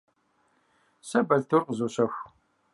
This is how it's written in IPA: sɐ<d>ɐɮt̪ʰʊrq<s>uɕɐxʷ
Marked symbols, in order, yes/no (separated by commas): no, no